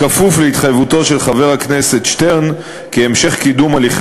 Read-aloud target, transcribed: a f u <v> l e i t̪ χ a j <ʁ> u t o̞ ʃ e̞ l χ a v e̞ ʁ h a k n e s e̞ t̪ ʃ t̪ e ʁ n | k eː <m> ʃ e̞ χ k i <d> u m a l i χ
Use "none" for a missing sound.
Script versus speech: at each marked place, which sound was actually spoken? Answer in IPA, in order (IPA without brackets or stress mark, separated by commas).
f, v, m, d